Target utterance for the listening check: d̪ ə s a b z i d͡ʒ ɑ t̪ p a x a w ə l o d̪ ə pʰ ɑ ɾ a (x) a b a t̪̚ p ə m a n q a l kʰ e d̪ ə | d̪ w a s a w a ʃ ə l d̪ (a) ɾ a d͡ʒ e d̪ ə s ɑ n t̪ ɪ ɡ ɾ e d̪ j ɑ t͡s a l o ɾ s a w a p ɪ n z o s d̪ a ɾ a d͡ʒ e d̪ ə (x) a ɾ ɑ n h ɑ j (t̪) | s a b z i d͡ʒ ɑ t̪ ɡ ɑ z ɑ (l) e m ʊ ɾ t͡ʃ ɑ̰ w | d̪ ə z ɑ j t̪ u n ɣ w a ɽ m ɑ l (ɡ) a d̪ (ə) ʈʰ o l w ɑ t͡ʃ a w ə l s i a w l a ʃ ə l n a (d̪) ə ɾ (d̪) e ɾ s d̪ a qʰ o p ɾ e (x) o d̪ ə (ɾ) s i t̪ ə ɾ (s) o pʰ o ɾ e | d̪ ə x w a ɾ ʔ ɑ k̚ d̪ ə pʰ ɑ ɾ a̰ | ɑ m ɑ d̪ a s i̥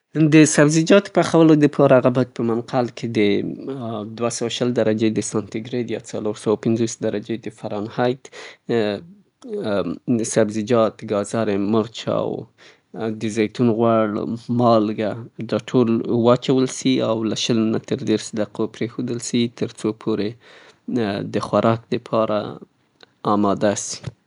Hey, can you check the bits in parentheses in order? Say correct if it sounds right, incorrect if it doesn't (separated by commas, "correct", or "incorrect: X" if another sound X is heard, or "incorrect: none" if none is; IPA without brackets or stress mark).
incorrect: ɣ, correct, incorrect: f, correct, incorrect: ɾ, correct, incorrect: ɑ, incorrect: t̪, correct, correct, incorrect: l, incorrect: t͡s